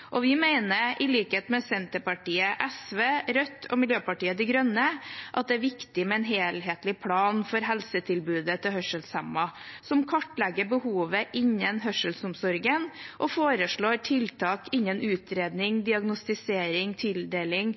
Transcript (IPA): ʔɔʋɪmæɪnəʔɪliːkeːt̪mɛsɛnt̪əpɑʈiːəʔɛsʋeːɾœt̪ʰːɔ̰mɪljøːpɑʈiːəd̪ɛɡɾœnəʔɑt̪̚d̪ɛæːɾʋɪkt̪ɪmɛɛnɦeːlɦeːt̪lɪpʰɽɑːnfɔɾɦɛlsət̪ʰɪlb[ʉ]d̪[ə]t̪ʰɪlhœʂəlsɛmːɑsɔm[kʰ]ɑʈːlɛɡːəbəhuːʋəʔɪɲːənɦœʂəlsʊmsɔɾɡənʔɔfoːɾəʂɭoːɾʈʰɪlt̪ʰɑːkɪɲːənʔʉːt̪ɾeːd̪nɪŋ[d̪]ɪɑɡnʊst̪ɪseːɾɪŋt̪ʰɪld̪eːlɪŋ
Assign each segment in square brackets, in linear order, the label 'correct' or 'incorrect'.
incorrect: ʉː, correct, correct, correct

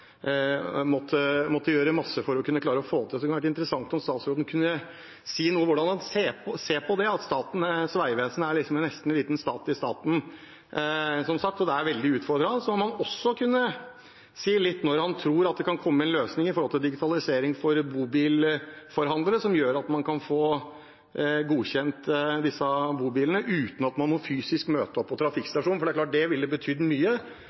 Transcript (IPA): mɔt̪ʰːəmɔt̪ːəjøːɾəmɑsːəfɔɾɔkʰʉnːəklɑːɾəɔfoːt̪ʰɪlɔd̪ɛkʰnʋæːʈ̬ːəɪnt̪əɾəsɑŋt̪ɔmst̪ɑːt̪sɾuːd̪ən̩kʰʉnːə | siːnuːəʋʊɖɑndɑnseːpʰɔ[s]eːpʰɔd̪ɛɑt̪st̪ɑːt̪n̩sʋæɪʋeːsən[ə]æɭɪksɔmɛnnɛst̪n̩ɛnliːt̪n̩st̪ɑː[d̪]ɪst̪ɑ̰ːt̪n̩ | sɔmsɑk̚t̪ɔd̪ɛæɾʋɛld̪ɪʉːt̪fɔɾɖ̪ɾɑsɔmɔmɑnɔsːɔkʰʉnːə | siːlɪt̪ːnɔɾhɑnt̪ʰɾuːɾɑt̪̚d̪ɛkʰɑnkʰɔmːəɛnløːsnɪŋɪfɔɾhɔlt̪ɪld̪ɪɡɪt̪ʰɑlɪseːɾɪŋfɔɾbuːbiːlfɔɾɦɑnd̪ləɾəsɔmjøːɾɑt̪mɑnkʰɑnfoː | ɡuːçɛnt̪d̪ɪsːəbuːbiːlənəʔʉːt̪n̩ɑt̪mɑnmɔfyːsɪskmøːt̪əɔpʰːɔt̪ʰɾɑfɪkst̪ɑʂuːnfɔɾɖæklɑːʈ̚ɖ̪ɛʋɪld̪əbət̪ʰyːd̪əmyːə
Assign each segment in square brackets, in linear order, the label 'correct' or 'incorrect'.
correct, correct, incorrect: t̪

